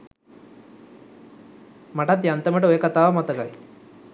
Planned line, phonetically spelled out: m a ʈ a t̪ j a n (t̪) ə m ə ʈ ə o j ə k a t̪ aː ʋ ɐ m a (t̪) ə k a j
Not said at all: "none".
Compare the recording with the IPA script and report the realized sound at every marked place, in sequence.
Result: t̪, t̪

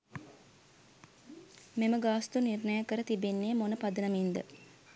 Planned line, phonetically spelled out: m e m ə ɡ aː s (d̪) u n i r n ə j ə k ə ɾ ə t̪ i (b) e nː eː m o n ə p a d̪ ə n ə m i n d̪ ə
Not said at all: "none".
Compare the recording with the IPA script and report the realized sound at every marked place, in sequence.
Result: t̪, b

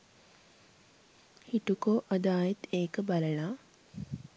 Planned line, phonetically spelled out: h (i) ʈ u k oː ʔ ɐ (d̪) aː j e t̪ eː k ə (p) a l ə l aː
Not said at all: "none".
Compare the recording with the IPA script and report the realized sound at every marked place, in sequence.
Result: i, d̪, b

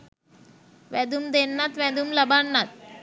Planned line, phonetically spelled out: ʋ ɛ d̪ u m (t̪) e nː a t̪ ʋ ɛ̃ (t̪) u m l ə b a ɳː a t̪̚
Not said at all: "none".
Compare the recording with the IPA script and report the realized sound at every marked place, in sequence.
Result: d̪, d̪

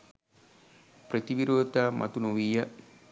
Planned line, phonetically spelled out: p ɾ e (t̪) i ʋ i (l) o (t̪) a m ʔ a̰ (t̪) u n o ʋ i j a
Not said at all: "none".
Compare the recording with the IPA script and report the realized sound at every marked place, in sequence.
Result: t̪, ɾ, t̪, t̪

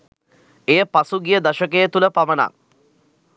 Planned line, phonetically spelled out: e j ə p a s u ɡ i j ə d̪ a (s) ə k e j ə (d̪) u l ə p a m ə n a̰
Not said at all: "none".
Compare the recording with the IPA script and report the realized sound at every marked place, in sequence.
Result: ʃ, t̪

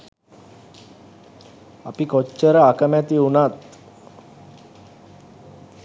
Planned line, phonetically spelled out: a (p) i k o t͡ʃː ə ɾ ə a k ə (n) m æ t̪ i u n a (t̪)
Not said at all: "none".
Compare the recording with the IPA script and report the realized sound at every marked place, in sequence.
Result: p, none, t̪

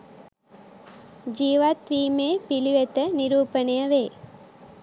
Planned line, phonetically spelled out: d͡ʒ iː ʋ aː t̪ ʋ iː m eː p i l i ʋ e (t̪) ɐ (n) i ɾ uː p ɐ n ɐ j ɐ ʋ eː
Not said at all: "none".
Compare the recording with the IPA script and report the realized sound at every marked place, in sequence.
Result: t̪, n

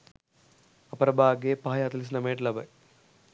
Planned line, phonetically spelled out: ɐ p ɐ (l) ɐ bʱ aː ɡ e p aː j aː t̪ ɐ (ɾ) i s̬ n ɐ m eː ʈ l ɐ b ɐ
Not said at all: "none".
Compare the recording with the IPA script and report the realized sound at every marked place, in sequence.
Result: ɾ, l

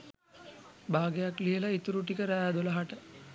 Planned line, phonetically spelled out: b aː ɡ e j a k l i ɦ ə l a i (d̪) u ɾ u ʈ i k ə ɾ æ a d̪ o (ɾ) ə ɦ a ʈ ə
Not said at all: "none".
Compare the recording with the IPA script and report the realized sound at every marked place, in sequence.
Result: t̪, l

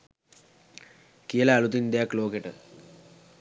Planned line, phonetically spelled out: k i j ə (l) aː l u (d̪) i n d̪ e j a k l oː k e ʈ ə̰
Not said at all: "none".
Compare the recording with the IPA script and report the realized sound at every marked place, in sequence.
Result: l, t̪

